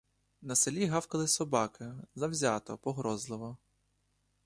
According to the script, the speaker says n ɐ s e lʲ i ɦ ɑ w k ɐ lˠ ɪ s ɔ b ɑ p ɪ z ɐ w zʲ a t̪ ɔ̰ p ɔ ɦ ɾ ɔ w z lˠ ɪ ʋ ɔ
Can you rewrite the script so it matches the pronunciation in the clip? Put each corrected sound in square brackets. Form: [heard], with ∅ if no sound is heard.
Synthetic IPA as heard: n ɐ s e lʲ i ɦ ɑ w k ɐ lˠ ɪ s ɔ b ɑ [k] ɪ z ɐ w zʲ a t̪ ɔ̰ p ɔ ɦ ɾ ɔ [∅] z lˠ ɪ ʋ ɔ